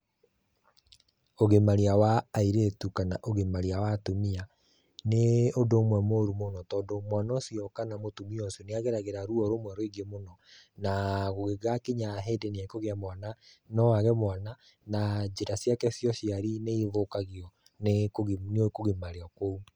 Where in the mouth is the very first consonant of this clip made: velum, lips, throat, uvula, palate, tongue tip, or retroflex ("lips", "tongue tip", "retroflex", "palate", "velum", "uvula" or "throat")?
velum